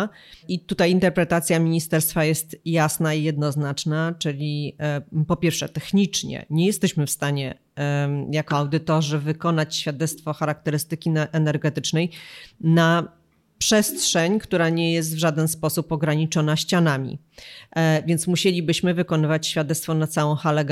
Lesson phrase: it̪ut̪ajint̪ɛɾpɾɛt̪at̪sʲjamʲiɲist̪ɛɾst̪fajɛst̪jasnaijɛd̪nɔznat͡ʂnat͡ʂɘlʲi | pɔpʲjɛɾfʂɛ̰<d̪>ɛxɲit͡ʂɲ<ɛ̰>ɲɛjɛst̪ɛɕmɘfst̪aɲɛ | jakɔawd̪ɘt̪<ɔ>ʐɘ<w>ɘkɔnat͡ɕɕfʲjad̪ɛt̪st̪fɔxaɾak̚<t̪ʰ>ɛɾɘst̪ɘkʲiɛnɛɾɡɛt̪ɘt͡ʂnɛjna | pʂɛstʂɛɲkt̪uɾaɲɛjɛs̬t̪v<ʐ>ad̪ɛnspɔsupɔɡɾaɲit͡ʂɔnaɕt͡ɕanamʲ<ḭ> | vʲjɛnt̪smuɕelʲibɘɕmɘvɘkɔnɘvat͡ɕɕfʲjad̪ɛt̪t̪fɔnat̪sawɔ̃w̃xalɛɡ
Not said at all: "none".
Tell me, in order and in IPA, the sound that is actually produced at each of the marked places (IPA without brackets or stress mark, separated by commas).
t̪, ɛ̰, ɔ, v, t̪, ʐ, ḭ